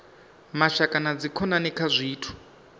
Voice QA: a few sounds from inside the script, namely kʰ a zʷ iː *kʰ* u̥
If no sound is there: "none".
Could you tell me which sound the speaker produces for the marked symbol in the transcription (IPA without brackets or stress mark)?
tʰ